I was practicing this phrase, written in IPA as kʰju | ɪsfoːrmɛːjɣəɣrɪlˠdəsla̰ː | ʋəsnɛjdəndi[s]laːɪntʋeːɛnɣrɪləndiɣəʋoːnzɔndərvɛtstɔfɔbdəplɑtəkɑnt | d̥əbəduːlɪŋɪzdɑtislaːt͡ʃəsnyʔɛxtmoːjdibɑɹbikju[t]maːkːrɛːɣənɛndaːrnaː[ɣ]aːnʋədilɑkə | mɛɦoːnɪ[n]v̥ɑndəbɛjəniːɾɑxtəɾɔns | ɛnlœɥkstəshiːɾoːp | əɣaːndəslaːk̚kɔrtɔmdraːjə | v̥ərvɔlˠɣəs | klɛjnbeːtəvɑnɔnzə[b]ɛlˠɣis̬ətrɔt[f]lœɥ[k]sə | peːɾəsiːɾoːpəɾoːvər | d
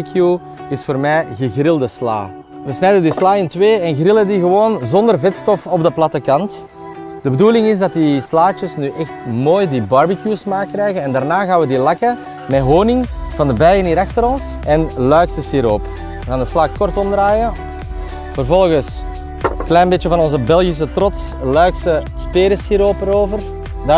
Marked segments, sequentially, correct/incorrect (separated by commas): correct, incorrect, correct, incorrect, correct, incorrect, correct